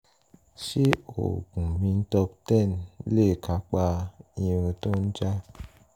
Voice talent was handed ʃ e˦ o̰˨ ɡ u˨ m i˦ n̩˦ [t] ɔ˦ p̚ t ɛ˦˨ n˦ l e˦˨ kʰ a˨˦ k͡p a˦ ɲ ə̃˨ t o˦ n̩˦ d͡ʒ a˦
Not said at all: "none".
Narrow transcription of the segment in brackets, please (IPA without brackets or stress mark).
t